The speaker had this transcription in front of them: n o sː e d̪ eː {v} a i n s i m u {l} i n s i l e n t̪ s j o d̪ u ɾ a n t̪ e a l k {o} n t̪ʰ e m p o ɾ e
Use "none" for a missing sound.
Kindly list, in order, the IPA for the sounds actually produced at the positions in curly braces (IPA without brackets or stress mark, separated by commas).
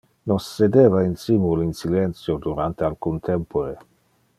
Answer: v, l, u